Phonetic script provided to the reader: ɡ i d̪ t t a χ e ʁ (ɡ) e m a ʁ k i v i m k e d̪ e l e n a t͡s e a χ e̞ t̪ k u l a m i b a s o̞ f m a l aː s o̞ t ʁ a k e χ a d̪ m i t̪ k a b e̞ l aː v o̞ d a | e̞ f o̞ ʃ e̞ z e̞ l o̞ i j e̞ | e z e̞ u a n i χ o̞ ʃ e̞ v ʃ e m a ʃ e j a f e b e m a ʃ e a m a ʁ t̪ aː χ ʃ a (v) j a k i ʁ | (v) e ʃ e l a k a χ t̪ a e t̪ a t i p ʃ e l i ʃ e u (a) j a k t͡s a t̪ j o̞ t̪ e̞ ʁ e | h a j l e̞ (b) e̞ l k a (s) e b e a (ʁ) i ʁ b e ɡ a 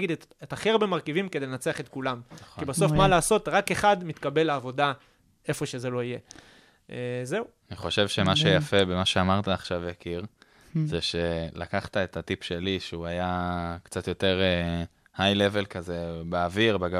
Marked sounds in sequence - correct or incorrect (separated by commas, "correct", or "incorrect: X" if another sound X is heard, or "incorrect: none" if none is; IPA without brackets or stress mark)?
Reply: incorrect: b, correct, incorrect: z, correct, incorrect: v, incorrect: z, incorrect: v